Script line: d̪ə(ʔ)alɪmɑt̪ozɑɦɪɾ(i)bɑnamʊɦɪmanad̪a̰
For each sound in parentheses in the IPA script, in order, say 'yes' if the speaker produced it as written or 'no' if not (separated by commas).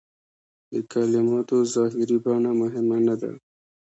no, yes